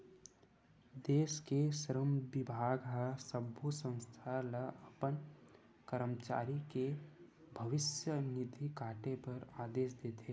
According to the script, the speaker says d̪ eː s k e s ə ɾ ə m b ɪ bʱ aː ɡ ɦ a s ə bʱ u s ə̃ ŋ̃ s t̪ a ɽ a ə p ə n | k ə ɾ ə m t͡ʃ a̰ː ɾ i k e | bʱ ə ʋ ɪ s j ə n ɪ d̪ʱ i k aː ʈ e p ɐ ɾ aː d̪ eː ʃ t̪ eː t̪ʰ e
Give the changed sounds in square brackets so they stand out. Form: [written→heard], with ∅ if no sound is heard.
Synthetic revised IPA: d̪ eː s k e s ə ɾ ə m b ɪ bʱ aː ɡ ɦ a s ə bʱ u s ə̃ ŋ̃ s [t̪→t̪ʰ] a [ɽ→l] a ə p ə n | k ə ɾ ə m t͡ʃ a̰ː ɾ i k e | bʱ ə ʋ ɪ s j ə n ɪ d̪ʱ i k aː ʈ e p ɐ ɾ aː d̪ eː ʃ [t̪→d̪] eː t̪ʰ e

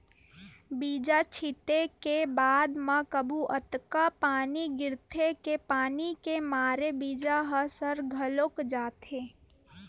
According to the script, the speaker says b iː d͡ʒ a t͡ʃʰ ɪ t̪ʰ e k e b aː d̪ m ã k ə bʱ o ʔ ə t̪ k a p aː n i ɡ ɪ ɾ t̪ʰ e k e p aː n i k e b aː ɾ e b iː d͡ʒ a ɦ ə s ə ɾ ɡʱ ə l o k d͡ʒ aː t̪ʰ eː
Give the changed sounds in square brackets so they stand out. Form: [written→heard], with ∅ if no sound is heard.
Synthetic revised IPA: b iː d͡ʒ a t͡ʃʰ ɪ [t̪ʰ→t̪] e k e b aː d̪ m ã k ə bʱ [o→u] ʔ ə t̪ k a p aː n i ɡ ɪ ɾ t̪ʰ e k e p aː n i k e [b→m] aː ɾ e b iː d͡ʒ a ɦ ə s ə ɾ ɡʱ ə l o k d͡ʒ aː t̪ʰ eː

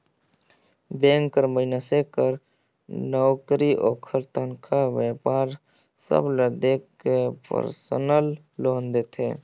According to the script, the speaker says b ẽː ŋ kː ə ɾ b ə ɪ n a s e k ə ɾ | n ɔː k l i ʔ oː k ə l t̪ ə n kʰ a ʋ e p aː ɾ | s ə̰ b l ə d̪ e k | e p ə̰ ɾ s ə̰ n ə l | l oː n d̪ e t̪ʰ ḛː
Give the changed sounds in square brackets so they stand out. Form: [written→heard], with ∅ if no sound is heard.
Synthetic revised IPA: b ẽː ŋ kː ə ɾ [b→m] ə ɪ n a s e k ə ɾ | n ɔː k [l→ɾ] i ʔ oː [k→kʰ] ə [l→ɾ] t̪ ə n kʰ a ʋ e p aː ɾ | s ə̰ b l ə d̪ e k | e p ə̰ ɾ s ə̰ n ə l | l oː n d̪ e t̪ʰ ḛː

